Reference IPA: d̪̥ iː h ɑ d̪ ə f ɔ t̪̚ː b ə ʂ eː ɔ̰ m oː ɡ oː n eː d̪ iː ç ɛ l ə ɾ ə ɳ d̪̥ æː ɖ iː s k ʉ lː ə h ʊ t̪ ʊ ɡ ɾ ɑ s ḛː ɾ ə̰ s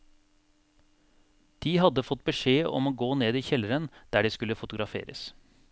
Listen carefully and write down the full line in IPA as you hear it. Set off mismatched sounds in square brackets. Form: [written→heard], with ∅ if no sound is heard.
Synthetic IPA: d̪̥ iː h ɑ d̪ ə f ɔ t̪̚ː b ə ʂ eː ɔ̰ m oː ɡ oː n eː d̪ iː ç ɛ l ə ɾ ə [ɳ→n] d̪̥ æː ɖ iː s k ʉ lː ə [h→f] ʊ t̪ ʊ ɡ ɾ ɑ [s→f] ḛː ɾ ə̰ s